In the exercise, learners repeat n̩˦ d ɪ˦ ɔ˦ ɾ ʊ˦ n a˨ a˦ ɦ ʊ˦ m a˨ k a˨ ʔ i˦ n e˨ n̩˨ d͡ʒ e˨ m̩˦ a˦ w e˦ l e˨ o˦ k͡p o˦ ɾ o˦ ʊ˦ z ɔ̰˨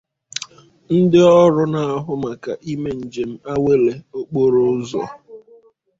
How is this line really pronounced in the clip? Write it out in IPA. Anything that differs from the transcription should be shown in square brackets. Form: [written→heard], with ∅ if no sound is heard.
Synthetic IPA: n̩˦ d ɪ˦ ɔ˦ ɾ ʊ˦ n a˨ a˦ ɦ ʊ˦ m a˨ k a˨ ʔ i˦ [n→m] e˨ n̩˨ d͡ʒ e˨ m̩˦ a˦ w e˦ l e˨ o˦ k͡p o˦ ɾ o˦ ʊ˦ z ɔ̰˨